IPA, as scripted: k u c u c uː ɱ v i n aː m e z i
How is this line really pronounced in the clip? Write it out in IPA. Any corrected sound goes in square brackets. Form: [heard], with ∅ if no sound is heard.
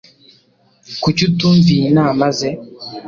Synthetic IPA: k u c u [t] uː ɱ v i n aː m [a] z [e]